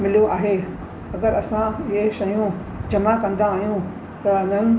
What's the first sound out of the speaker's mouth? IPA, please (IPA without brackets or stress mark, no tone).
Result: m